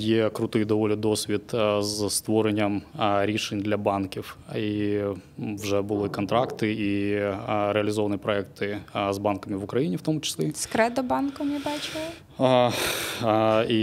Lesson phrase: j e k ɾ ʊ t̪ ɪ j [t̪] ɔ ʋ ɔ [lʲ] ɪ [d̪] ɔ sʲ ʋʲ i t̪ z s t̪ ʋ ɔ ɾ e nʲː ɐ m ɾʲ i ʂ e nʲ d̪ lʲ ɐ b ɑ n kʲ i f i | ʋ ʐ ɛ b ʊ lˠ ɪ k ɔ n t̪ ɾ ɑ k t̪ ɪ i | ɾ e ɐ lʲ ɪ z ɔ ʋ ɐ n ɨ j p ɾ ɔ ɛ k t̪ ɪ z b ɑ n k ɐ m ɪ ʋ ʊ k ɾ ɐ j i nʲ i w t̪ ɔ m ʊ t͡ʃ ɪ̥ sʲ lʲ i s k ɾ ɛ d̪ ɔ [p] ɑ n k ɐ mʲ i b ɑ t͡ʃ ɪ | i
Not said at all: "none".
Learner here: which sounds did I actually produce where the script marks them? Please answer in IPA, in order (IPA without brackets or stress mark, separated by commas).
d̪, lʲ, d̪, b